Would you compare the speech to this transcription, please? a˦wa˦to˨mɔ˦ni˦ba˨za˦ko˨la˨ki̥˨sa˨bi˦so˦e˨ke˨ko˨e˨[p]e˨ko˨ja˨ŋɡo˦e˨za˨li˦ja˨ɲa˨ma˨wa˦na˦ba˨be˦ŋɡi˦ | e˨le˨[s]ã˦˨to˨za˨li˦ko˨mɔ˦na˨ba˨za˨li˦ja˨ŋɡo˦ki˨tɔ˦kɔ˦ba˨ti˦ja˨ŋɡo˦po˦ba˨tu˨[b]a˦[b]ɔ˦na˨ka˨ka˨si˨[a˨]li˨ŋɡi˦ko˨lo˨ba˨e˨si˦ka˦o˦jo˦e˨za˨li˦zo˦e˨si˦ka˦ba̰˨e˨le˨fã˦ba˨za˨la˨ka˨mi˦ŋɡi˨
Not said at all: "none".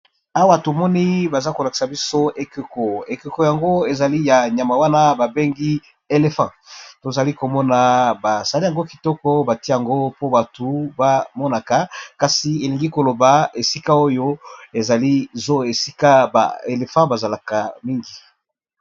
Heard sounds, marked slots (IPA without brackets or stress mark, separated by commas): k, f, b, m, e˨